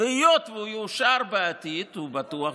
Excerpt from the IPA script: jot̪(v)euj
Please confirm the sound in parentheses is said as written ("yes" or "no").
yes